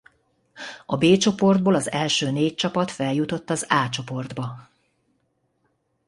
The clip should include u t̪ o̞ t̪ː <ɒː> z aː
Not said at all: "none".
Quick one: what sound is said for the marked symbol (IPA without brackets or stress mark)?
ɒ